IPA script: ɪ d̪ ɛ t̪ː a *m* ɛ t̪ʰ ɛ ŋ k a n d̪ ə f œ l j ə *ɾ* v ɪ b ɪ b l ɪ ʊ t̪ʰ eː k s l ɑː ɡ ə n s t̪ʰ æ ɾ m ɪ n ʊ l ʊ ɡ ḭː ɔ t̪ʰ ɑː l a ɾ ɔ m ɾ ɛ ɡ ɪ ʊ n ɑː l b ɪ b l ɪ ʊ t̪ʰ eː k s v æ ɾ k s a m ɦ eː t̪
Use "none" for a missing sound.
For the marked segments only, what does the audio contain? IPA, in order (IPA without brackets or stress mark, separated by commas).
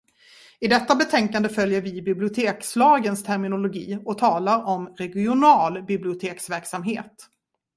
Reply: b, ɾ